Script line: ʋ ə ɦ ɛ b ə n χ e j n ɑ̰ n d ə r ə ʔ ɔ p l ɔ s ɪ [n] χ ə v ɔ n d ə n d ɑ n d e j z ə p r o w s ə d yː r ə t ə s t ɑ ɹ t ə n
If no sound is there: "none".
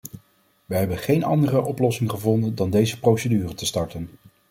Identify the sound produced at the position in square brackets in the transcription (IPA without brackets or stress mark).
ŋ